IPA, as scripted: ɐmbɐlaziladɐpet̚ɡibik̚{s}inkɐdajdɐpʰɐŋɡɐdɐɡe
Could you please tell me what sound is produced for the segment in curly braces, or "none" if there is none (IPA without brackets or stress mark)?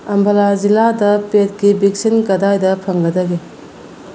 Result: s